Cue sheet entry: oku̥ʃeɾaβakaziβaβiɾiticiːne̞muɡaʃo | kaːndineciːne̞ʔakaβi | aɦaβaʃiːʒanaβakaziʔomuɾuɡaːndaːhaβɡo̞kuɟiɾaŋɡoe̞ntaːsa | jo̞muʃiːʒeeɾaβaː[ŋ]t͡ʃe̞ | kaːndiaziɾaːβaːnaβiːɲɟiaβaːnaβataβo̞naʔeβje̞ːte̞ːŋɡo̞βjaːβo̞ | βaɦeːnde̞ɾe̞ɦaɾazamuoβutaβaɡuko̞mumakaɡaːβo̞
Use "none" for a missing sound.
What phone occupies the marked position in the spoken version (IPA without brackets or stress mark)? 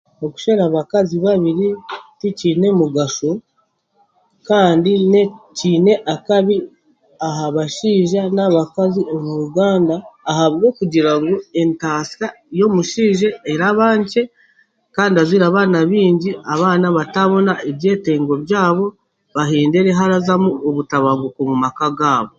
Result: ɲ